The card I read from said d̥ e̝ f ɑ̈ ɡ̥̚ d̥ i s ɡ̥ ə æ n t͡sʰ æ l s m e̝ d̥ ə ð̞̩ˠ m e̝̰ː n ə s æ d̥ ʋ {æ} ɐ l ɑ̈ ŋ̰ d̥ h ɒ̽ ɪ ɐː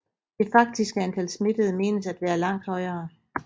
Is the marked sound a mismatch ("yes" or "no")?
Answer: yes